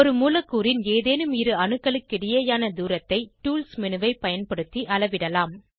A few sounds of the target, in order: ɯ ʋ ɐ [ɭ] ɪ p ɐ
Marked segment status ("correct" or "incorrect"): incorrect